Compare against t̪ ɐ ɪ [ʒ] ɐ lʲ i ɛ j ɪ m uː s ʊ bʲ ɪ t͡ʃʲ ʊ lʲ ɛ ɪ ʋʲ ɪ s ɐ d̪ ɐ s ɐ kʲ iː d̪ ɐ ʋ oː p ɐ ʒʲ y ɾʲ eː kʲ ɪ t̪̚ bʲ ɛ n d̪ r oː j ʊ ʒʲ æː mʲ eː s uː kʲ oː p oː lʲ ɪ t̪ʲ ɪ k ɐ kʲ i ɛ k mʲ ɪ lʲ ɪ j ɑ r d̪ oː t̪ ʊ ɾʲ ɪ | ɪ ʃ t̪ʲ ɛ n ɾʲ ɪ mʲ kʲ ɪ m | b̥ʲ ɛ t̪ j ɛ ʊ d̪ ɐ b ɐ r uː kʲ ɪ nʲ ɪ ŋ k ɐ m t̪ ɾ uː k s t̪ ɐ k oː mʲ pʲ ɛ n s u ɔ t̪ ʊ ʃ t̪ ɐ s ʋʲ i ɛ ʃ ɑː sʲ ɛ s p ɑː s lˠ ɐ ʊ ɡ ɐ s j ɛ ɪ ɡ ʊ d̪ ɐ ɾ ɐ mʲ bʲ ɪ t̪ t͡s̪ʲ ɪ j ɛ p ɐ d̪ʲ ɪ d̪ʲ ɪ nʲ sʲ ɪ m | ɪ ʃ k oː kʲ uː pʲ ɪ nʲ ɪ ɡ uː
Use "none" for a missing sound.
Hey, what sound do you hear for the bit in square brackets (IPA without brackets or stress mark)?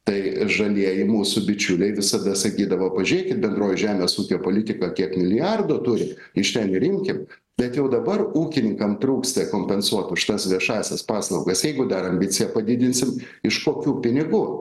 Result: ʒ